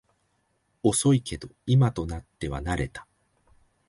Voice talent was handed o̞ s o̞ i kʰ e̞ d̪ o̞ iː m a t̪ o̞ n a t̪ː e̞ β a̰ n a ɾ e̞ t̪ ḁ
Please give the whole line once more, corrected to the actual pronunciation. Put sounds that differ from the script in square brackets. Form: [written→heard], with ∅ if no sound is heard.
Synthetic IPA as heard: o̞ s o̞ i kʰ e̞ d̪ o̞ [iː→i] m a t̪ o̞ n a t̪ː e̞ β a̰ n a ɾ e̞ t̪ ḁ